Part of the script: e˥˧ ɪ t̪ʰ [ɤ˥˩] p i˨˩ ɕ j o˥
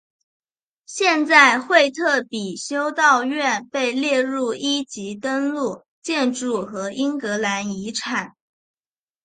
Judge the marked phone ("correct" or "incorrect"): correct